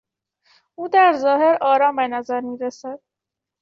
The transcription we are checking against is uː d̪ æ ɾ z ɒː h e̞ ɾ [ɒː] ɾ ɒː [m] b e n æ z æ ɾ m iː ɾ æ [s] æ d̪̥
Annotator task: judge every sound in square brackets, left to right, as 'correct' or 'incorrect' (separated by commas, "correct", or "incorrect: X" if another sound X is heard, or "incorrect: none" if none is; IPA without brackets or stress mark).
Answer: correct, correct, correct